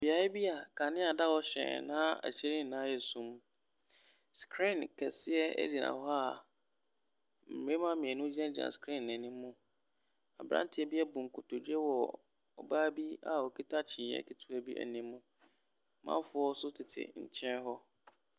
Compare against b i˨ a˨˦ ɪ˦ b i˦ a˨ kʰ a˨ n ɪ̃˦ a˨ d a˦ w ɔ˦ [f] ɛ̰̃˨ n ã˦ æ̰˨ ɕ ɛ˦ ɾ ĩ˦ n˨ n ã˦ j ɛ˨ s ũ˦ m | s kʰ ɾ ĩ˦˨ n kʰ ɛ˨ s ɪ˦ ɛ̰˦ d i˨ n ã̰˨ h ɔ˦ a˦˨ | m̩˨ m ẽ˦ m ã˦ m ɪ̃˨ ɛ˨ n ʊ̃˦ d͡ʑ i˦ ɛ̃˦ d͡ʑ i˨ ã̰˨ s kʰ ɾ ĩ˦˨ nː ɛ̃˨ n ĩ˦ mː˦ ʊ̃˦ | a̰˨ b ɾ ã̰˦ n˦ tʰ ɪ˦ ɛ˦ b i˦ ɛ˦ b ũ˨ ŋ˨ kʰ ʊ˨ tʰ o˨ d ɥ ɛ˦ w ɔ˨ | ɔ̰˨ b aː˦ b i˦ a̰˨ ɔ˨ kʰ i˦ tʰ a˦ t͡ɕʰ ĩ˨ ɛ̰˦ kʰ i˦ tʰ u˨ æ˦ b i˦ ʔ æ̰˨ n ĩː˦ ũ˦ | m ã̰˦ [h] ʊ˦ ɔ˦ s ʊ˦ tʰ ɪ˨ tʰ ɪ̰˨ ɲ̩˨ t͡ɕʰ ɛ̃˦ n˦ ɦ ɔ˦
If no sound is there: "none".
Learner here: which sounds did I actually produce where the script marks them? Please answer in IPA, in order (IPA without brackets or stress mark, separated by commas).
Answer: ɕ, f